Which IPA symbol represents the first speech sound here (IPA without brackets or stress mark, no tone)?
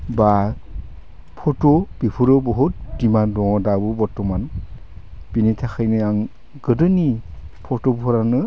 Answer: b